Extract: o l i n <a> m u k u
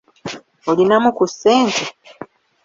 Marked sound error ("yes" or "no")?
no